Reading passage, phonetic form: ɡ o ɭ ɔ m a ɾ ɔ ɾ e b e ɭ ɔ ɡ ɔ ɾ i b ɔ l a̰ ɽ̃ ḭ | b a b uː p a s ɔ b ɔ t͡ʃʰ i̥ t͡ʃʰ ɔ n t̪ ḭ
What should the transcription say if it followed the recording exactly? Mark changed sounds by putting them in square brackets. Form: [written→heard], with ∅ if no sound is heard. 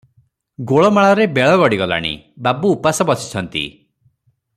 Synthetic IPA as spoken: ɡ o ɭ ɔ m a [ɾ→ɭ] ɔ ɾ e b e ɭ ɔ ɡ ɔ [ɾ→ɽ] i [b→ɡ] ɔ l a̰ ɽ̃ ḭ | b a b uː p a s ɔ b ɔ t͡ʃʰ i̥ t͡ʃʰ ɔ n t̪ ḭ